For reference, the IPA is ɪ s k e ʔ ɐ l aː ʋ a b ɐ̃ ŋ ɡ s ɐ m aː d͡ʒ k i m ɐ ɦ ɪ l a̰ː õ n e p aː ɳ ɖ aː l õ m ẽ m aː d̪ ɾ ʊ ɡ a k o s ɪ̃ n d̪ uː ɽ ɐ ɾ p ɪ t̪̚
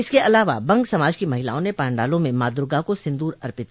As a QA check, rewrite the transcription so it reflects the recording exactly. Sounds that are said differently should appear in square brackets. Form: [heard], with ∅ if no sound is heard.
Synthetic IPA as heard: ɪ s k e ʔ ɐ l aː ʋ a b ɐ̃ ŋ ɡ s ɐ m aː d͡ʒ k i m ɐ ɦ ɪ l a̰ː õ n e p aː ɳ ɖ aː l õ m ẽ m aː d̪ ɾ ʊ ɡ a k o s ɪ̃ n d̪ uː [ɾ] ɐ ɾ p ɪ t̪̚